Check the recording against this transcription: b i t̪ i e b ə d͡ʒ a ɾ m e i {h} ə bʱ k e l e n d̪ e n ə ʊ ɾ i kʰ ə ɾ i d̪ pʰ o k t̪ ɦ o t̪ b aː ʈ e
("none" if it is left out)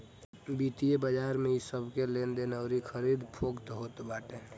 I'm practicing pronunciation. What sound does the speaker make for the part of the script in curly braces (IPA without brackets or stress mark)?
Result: s